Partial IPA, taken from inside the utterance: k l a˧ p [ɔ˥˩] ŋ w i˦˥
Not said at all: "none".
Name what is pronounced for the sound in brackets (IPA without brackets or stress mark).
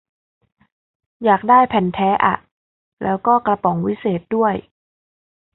ɔ˩˦